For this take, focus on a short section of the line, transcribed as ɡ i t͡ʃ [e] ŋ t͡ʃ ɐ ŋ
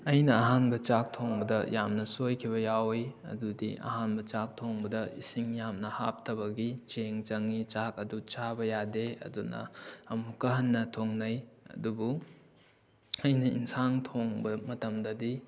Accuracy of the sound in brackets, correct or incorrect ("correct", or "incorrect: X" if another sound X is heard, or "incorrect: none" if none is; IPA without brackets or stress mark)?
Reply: correct